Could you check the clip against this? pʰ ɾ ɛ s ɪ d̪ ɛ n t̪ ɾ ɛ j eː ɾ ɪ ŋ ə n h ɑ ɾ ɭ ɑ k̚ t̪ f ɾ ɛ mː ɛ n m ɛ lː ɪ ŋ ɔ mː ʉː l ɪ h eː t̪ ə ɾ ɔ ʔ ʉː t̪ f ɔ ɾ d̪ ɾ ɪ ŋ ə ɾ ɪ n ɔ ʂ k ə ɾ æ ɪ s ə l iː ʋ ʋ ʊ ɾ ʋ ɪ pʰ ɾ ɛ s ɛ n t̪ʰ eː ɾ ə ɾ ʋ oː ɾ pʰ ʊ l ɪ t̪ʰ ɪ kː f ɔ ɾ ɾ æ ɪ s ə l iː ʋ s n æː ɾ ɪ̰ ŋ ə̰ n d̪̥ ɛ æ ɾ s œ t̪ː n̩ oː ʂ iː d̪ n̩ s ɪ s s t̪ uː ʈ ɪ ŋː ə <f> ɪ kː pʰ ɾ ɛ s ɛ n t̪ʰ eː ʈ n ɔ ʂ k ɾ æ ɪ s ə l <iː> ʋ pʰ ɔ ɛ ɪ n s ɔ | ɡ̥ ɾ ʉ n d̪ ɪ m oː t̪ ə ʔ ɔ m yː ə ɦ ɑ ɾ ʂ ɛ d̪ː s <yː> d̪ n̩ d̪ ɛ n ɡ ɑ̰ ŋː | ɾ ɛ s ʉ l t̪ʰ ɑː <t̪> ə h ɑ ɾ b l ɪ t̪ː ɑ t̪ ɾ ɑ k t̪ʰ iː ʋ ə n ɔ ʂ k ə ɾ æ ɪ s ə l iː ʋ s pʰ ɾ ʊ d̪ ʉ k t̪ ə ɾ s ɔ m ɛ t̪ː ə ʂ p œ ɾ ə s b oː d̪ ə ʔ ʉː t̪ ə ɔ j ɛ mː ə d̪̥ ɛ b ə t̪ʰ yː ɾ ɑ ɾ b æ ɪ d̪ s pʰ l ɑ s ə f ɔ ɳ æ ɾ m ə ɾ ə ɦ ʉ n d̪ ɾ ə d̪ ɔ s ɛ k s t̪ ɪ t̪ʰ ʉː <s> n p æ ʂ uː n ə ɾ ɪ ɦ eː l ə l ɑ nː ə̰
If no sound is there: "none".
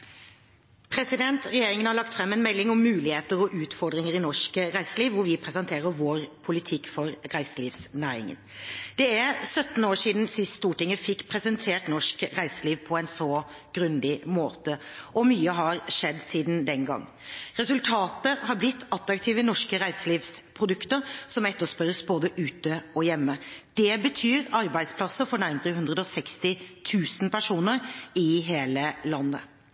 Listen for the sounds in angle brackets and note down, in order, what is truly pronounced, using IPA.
f, iː, iː, t̪, s

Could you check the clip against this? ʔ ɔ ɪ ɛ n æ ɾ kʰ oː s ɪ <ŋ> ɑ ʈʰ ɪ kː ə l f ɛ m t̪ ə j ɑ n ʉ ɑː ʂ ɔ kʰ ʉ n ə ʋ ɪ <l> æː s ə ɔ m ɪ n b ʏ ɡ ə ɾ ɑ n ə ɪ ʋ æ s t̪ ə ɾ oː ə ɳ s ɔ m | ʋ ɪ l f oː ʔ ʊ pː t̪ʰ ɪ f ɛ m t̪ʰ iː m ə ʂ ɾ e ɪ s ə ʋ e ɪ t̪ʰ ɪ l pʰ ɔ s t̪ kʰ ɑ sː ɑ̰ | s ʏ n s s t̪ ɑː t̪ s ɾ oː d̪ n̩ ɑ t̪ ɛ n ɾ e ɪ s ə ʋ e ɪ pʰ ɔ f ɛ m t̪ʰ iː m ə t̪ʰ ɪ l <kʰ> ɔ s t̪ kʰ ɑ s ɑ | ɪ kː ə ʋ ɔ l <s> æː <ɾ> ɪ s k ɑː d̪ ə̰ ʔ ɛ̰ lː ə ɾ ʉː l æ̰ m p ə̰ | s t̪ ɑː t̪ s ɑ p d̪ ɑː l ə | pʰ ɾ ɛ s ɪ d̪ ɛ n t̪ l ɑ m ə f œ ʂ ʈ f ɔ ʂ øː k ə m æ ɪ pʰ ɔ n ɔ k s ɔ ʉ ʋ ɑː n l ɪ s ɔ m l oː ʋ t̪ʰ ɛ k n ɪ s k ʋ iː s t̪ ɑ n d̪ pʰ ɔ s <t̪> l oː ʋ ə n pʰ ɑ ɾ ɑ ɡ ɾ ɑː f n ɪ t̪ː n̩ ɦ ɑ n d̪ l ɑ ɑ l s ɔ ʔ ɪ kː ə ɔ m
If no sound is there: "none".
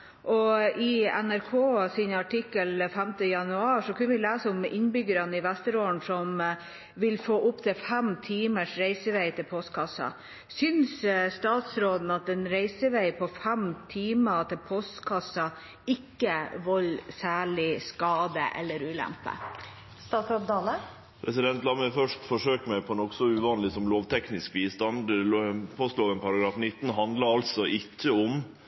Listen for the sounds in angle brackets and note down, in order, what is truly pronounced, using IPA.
n, l, pʰ, s, ɭ, t̪

